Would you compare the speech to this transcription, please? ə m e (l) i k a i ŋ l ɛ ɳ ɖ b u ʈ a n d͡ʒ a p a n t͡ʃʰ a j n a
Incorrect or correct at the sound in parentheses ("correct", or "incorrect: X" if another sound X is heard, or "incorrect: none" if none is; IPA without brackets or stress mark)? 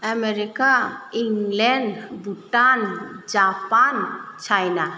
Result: incorrect: ɾ